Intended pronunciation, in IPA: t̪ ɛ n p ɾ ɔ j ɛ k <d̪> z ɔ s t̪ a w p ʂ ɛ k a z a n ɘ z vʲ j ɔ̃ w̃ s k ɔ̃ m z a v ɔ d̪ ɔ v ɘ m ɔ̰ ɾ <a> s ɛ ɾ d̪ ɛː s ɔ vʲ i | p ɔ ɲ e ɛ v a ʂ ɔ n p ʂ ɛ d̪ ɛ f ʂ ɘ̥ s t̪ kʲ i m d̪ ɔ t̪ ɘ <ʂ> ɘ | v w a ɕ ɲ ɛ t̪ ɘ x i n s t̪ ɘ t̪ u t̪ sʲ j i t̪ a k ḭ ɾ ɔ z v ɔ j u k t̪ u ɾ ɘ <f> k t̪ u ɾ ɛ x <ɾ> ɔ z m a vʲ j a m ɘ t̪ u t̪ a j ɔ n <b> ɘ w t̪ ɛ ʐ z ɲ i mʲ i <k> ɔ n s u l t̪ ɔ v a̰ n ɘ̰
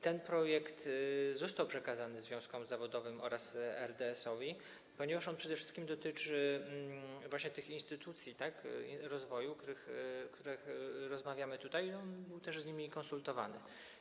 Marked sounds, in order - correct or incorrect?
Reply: incorrect: t̪, correct, incorrect: t͡ʂ, incorrect: x, correct, correct, correct

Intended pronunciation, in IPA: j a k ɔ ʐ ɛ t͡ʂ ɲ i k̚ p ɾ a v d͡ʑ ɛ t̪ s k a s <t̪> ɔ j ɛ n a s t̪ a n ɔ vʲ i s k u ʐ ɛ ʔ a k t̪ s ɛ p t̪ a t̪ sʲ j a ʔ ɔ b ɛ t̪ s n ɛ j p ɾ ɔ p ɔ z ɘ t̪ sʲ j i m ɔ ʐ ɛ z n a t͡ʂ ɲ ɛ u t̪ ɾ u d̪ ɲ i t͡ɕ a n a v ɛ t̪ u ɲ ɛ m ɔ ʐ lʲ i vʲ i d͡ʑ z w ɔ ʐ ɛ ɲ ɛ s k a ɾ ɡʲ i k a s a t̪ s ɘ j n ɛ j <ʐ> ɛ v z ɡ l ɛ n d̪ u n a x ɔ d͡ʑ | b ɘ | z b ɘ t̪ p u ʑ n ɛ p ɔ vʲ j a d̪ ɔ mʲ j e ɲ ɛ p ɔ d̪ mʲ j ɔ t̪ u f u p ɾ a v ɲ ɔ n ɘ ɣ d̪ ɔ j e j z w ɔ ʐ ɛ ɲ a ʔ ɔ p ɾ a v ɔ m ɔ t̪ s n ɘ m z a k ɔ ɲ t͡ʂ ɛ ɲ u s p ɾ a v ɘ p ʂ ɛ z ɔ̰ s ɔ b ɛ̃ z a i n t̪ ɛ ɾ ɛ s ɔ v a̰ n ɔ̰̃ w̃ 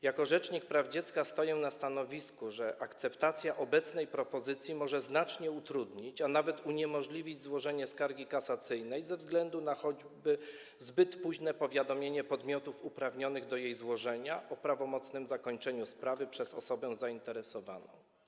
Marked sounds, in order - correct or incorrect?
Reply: correct, incorrect: z

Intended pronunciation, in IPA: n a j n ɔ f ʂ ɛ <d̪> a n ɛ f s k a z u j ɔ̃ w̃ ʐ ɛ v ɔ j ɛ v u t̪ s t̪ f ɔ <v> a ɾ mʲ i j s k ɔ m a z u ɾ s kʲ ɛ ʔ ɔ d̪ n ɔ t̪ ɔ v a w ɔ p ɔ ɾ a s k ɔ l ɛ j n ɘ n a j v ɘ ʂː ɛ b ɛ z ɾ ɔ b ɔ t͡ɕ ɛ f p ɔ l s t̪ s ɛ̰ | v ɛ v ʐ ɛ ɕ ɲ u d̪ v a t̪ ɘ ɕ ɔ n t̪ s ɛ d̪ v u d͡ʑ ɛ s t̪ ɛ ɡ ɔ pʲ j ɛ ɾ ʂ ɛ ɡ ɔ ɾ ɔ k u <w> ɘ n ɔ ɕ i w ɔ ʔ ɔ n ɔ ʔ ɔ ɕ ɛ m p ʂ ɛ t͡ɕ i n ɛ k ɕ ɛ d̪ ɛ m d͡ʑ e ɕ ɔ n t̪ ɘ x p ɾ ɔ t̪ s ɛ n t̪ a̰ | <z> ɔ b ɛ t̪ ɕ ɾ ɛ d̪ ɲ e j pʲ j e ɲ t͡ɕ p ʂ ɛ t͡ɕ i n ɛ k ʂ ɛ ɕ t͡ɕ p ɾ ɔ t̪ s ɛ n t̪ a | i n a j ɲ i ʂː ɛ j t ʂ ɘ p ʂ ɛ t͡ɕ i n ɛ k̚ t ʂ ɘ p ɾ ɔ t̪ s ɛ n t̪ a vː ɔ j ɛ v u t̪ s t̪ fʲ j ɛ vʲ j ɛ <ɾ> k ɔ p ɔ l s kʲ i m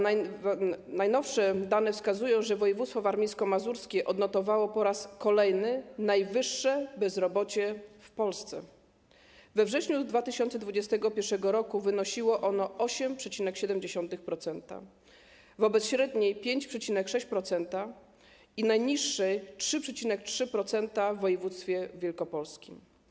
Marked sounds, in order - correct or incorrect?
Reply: correct, correct, incorrect: v, incorrect: v, incorrect: l

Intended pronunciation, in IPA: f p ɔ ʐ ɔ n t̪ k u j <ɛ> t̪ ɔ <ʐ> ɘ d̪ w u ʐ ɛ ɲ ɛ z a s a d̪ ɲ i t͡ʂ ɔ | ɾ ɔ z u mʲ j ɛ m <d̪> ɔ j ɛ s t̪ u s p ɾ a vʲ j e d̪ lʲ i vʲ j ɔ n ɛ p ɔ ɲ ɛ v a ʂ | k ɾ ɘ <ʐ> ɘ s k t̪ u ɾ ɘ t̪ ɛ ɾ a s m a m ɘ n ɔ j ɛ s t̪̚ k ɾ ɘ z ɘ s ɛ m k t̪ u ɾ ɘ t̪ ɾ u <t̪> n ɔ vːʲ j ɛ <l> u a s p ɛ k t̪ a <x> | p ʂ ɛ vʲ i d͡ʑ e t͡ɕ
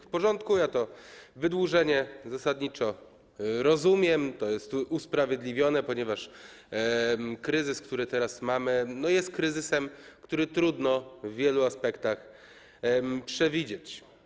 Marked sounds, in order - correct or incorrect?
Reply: incorrect: a, incorrect: v, incorrect: t̪, incorrect: z, incorrect: d̪, correct, correct

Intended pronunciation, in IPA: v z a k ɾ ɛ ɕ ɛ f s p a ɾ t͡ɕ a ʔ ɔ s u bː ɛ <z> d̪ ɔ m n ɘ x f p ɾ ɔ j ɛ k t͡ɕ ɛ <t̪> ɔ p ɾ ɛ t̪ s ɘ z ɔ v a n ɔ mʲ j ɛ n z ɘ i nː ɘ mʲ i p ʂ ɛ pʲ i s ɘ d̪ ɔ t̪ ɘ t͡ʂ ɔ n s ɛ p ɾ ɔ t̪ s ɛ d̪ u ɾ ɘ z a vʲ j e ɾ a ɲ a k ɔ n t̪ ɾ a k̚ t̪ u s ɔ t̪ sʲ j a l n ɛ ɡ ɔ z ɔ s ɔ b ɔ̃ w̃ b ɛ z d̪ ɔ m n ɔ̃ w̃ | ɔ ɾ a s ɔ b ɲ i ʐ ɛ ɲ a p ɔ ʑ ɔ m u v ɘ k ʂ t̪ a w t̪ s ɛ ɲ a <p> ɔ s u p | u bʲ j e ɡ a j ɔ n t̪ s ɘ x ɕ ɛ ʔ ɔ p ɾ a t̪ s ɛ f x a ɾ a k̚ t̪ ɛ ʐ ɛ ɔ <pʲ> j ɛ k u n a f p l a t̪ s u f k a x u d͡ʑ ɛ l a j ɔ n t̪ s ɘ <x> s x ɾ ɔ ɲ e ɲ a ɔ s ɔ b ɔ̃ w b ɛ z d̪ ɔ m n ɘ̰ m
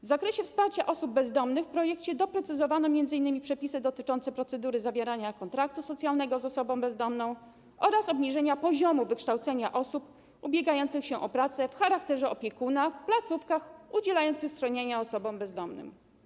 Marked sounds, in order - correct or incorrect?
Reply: correct, incorrect: d̪, incorrect: ʔ, correct, correct

